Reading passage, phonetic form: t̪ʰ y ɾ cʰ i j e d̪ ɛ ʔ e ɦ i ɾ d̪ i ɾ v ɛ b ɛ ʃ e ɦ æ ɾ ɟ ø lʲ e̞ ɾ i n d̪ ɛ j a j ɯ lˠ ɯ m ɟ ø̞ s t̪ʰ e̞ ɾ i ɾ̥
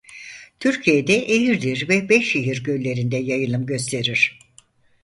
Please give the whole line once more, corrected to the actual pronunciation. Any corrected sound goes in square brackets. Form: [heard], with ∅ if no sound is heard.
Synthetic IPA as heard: t̪ʰ y ɾ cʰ i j e d̪ ɛ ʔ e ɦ i ɾ d̪ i ɾ v ɛ b ɛ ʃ e ɦ [i] ɾ ɟ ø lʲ e̞ ɾ i n d̪ ɛ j a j ɯ lˠ ɯ m ɟ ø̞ s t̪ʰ e̞ ɾ i ɾ̥